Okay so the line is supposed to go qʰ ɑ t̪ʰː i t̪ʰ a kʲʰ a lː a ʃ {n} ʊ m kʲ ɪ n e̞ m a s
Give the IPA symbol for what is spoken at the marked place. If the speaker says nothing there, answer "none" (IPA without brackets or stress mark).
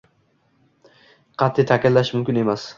m